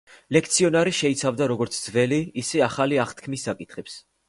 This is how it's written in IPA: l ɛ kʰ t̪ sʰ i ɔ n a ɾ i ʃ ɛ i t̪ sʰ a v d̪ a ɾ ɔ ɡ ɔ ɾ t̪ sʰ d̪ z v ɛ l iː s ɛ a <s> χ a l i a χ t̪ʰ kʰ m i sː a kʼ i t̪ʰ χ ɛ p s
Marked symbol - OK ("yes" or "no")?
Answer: no